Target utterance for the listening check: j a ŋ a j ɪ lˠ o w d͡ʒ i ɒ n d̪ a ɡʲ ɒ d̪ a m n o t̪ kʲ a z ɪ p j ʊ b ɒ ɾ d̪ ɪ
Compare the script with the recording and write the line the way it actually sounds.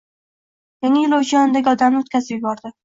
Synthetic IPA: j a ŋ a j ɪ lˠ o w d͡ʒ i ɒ n d̪ a ɡʲ ɒ d̪ a m n o t̪ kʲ a z ɪ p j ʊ b ɒ ɾ d̪ ɪ